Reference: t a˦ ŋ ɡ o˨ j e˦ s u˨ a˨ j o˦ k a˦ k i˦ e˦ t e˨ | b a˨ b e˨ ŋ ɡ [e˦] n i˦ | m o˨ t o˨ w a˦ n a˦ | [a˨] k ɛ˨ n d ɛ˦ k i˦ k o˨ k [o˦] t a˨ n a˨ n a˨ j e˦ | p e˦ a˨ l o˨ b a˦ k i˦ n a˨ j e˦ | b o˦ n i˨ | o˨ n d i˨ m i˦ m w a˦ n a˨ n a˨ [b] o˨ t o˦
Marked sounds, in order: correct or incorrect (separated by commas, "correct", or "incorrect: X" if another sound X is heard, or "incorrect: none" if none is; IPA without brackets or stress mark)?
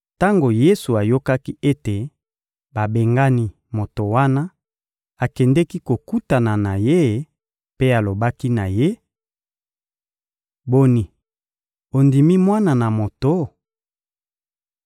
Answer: incorrect: a˦, correct, incorrect: u˦, incorrect: m